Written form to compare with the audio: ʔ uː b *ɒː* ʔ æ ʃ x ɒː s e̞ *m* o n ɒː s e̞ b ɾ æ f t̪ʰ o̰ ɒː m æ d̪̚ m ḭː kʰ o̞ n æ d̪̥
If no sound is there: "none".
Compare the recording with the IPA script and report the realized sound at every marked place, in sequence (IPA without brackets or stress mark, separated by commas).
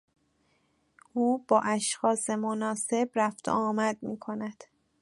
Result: ɒː, m